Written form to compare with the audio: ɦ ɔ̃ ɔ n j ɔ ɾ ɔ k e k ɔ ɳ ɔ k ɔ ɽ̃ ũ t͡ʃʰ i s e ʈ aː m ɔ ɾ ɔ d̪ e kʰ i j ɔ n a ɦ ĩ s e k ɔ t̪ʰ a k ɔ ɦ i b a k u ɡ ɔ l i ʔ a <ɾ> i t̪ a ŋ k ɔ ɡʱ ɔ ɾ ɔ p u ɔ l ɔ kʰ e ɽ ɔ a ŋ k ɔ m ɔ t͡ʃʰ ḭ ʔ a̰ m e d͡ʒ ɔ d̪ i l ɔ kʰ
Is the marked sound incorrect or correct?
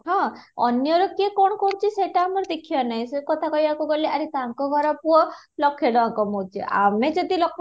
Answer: correct